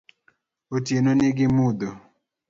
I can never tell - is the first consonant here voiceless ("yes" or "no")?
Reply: yes